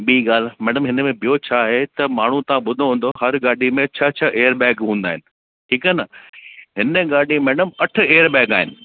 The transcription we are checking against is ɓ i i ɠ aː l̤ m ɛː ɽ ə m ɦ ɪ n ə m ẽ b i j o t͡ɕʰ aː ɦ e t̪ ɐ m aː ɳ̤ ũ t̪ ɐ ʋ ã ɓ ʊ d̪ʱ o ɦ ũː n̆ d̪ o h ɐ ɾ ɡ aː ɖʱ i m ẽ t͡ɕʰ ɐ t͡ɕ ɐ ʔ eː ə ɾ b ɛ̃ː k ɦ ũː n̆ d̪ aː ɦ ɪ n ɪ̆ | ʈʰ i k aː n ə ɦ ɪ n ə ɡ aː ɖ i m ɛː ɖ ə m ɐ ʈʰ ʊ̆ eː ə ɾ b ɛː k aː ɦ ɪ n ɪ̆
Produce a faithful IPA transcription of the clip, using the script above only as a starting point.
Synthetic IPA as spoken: ɓ i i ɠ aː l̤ m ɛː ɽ ə m ɦ ɪ n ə m ẽ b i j o t͡ɕʰ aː ɦ e t̪ ɐ m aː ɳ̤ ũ t̪ ɐ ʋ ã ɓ ʊ d̪ʱ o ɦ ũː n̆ d̪ o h ɐ ɾ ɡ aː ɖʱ i m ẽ t͡ɕʰ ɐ t͡ɕʰ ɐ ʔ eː ə ɾ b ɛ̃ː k ɦ ũː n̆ d̪ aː ɦ ɪ n ɪ̆ | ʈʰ iː k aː n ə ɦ ɪ n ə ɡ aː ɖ i m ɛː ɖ ə m ɐ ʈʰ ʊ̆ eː ə ɾ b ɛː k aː ɦ ɪ n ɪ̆